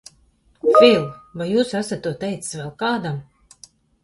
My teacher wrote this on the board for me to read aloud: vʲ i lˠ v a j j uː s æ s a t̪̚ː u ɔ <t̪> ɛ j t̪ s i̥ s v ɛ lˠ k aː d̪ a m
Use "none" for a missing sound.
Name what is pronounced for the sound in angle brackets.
t̪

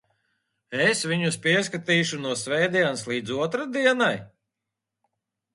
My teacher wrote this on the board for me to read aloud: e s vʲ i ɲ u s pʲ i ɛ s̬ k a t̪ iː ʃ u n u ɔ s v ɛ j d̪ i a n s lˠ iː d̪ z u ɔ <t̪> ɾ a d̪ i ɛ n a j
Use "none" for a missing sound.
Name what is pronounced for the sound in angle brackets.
t̪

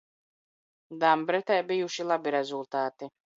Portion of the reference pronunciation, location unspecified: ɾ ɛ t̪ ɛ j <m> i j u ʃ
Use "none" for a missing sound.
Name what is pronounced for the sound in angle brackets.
b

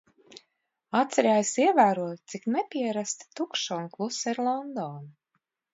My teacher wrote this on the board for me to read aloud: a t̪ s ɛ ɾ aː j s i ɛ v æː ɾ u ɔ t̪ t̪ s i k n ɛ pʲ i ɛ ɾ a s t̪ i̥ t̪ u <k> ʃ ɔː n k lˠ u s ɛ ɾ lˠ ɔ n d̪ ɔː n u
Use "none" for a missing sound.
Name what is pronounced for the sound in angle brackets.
k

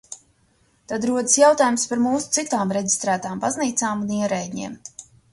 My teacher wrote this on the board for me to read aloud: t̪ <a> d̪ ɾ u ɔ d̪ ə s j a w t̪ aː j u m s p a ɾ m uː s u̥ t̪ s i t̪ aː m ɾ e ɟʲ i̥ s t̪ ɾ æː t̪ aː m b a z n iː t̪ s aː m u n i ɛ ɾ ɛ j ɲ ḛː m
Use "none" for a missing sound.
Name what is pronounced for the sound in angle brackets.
a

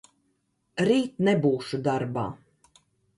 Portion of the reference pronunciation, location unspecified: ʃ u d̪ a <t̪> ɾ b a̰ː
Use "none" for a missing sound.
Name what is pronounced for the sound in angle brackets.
none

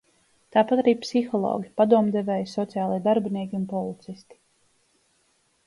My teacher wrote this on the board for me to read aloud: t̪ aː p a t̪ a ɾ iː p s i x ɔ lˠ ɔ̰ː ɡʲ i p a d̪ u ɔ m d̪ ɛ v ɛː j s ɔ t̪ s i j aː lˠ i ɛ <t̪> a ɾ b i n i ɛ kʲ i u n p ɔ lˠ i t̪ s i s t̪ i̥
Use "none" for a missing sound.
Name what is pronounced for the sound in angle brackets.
d̪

